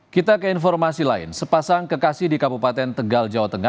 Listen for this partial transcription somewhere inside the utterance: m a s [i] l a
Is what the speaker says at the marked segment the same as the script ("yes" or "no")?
yes